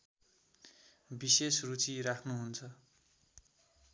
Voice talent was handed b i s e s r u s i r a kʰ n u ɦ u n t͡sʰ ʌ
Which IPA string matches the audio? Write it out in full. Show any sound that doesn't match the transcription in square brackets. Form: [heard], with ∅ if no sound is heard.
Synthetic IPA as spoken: b i s e s r u [t͡s] i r a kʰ n u ɦ u n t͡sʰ ʌ